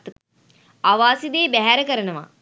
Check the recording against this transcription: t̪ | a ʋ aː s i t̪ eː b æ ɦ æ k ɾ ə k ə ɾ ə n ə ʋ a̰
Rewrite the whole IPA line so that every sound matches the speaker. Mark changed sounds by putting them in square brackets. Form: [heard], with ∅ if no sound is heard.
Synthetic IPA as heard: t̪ | a ʋ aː s i [d̪] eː b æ ɦ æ [∅] ɾ ə k ə ɾ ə n ə ʋ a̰